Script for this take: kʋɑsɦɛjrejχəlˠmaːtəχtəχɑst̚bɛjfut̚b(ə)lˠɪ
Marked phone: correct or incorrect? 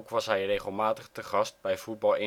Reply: incorrect